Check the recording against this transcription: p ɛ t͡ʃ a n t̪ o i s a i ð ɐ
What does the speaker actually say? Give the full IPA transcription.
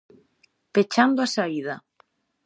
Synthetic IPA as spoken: p e t͡ʃ a n d̪ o a s a i ð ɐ